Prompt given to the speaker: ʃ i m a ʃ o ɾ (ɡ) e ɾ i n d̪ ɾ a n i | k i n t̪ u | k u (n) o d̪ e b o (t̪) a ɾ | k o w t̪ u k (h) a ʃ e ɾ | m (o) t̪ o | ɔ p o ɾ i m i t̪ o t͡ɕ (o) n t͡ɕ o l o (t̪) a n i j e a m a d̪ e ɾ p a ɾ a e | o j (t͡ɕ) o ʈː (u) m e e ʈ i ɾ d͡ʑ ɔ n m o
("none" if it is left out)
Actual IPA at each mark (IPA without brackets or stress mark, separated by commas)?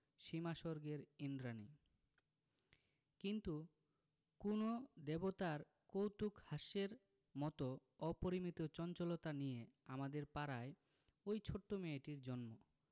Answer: ɡ, n, t̪, h, ɔ, ɔ, t̪, t͡ɕʰ, o